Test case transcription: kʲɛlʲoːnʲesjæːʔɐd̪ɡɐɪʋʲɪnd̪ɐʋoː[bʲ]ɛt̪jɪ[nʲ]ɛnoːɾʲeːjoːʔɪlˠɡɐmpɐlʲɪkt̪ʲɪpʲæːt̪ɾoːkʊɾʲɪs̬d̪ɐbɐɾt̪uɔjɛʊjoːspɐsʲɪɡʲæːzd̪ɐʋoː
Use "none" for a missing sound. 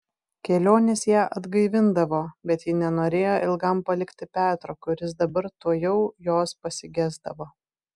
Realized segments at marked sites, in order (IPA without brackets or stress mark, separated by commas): bʲ, nʲ